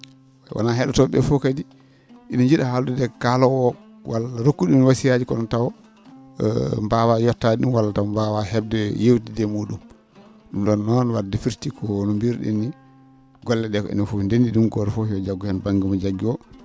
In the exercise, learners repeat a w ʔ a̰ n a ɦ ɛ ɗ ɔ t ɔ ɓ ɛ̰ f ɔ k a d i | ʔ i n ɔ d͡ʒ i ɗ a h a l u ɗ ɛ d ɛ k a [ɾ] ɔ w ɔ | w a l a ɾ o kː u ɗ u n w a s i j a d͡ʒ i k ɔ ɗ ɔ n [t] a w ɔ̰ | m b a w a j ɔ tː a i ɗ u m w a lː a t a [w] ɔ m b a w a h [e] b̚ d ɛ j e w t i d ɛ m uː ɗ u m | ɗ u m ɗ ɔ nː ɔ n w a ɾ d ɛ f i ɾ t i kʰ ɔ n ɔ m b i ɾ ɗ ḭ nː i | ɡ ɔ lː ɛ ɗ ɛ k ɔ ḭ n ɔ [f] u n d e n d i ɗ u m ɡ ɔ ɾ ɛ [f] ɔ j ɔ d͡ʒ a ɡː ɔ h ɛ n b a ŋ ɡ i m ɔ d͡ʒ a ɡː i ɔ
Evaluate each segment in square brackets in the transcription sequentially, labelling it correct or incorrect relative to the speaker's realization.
incorrect, correct, correct, incorrect, correct, correct

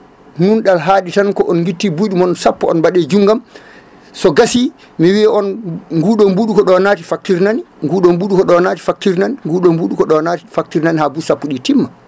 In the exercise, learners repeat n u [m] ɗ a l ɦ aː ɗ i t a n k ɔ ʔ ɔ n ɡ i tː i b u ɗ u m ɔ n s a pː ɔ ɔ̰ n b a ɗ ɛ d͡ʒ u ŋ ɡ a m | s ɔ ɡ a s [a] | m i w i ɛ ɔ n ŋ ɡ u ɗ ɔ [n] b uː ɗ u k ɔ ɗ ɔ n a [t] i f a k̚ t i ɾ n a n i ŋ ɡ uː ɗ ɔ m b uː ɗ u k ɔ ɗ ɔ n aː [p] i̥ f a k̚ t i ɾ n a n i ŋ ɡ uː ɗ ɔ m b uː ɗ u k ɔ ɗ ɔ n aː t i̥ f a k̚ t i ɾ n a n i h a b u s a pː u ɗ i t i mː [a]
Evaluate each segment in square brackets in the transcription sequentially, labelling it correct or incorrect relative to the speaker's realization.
incorrect, incorrect, incorrect, correct, incorrect, correct

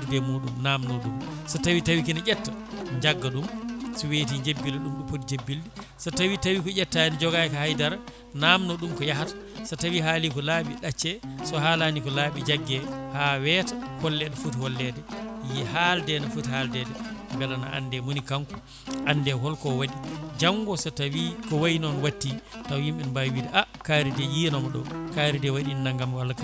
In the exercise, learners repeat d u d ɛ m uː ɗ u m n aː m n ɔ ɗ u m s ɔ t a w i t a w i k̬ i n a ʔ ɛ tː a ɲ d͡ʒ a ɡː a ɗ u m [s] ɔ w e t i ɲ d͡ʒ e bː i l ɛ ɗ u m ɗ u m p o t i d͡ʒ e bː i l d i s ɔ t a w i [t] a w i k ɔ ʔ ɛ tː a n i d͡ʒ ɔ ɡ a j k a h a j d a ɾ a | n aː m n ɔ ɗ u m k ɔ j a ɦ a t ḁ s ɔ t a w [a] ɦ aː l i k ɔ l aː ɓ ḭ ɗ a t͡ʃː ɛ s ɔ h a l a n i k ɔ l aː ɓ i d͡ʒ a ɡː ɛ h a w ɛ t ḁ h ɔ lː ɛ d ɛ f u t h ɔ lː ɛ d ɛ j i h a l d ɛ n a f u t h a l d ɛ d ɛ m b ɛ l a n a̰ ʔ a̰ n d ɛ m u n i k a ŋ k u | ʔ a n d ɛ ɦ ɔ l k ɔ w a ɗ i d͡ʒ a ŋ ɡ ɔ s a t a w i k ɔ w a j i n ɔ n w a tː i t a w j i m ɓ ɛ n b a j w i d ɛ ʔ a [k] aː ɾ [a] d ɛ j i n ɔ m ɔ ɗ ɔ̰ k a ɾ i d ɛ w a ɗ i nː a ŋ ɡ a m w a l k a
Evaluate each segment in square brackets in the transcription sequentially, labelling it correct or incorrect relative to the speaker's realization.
correct, correct, incorrect, correct, incorrect

